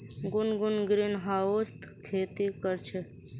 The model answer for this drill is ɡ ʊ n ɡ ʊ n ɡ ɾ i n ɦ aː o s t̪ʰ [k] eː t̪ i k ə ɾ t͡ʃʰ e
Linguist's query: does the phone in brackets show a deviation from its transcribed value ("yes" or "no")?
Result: yes